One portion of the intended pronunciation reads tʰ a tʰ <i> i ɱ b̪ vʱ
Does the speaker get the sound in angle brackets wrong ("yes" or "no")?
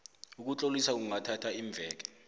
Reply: yes